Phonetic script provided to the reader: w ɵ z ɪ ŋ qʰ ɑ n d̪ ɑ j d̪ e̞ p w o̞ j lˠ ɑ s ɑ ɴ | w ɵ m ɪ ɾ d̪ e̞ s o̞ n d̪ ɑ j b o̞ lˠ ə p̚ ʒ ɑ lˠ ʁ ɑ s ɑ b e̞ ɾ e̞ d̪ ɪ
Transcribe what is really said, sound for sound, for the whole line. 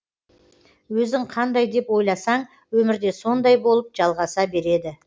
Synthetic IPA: w ɵ z ɪ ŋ qʰ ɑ n d̪ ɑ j d̪ e̞ p w o̞ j lˠ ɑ s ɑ ɴ | w ɵ m ɪ ɾ d̪ e̞ s o̞ n d̪ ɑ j b o̞ lˠ ə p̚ ʒ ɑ lˠ ʁ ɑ s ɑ b e̞ ɾ e̞ d̪ ɪ

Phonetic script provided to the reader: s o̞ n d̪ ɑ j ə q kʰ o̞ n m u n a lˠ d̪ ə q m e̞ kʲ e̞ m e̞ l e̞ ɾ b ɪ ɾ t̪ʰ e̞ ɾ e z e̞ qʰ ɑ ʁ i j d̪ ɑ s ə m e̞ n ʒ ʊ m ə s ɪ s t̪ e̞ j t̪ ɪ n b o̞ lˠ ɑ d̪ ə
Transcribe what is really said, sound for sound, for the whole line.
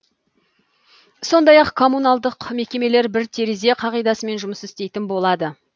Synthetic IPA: s o̞ n d̪ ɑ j ɑ q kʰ o̞ m u n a lˠ d̪ ə q m e̞ kʲ e̞ m e̞ l e̞ ɾ b ɪ ɾ t̪ʰ e̞ ɾ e z e̞ qʰ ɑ ʁ i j d̪ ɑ s ə m e̞ n ʒ ʊ m ə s ɪ s t̪ e̞ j t̪ ɪ n b o̞ lˠ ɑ d̪ ə

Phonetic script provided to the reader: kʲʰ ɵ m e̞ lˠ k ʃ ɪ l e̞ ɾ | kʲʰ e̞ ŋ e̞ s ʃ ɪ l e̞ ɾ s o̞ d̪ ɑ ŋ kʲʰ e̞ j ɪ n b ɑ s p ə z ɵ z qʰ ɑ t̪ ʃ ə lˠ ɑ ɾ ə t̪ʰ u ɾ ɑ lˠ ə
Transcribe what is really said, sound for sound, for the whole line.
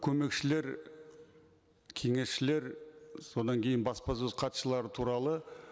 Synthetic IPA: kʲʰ ɵ m e̞ k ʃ ɪ l e̞ ɾ | kʲʰ e̞ ŋ e̞ s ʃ ɪ l e̞ ɾ s o̞ d̪ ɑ ŋ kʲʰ e̞ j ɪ n b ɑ s p ɑ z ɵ z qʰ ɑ t̪ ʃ ə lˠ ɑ ɾ ə t̪ʰ u ɾ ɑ lˠ ə

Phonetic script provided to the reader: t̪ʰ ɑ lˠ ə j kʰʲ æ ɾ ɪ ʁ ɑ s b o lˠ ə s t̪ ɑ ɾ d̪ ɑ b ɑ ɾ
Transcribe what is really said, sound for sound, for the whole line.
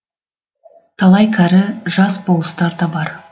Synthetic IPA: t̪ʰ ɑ lˠ ɑ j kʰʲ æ ɾ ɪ ʒ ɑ s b o lˠ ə s t̪ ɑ ɾ d̪ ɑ b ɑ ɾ

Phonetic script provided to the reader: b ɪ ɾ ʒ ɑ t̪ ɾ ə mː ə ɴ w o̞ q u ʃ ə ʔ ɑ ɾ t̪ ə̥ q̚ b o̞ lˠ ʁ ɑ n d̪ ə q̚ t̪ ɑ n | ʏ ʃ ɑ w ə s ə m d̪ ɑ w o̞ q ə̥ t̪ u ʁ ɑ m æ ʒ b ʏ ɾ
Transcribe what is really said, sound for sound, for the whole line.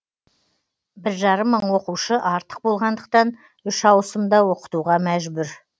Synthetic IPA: b ɪ ɾ ʒ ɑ ɾ ə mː ə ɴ w o̞ q u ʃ ə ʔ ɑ ɾ t̪ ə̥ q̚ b o̞ lˠ ʁ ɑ n d̪ ə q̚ t̪ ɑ n | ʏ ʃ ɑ w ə s ə m d̪ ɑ w o̞ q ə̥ t̪ u ʁ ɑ m æ ʒ b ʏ ɾ

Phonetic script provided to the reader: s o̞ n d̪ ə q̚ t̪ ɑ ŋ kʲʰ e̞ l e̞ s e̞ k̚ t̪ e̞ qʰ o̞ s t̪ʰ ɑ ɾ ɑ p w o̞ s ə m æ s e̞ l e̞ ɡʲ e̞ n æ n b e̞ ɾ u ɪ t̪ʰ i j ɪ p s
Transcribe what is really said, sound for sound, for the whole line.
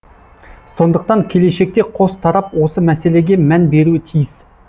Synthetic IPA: s o̞ n d̪ ə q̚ t̪ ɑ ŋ kʲʰ e̞ l e̞ ʃ e̞ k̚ t̪ e̞ qʰ o̞ s t̪ʰ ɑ ɾ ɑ p w o̞ s ə m æ s e̞ l e̞ ɡʲ e̞ m æ n b e̞ ɾ u ɪ t̪ʰ i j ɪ s

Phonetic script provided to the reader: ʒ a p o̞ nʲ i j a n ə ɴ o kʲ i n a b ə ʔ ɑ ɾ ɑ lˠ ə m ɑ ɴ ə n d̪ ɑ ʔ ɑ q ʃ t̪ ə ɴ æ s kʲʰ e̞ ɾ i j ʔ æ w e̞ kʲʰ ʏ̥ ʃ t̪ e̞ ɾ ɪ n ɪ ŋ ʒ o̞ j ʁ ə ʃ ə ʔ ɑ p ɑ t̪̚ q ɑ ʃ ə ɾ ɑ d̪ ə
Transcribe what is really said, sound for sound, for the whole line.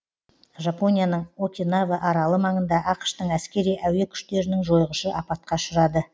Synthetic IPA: ʒ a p o̞ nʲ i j a n ə ɴ o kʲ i n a v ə ʔ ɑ ɾ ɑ lˠ ə m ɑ ɴ ə n d̪ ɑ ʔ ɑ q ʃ t̪ ə ɴ æ s kʲ e̞ ɾ i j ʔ æ w e̞ kʲʰ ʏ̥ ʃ t̪ e̞ ɾ ɪ n ɪ ŋ ʒ o̞ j ʁ ə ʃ ə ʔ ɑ p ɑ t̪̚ q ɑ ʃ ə ɾ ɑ d̪ ə

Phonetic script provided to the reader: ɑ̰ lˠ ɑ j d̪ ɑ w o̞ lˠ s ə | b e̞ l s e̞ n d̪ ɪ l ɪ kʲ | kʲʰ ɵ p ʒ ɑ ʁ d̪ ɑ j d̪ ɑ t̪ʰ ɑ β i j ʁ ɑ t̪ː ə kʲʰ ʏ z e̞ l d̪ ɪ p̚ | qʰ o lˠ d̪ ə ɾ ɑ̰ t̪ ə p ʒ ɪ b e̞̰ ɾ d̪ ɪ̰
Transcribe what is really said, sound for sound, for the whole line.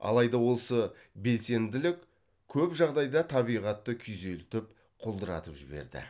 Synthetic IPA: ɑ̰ lˠ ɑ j d̪ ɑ w o̞ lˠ s ə | b e̞ l s e̞ n d̪ ɪ l ɪ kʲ | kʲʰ ɵ p ʒ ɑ ʁ d̪ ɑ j d̪ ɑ t̪ʰ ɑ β i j ʁ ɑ t̪ː ə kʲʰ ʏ z e̞ l t̪ ɪ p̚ | qʰ o lˠ d̪ ə ɾ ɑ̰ t̪ ə p ʒ ɪ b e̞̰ ɾ d̪ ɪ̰

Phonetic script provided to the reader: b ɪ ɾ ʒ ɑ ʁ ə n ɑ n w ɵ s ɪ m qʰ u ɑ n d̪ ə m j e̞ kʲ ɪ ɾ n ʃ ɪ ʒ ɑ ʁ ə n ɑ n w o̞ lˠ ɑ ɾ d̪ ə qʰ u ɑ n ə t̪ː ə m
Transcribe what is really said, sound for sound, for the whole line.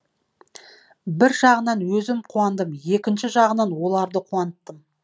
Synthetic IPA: b ɪ ɾ ʒ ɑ ʁ ə n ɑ n w ɵ z ɪ m qʰ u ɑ n d̪ ə m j e̞ kʲ ɪ n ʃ ɪ ʒ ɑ ʁ ə n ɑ n w o̞ lˠ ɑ ɾ d̪ ə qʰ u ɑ n ə t̪ː ə m

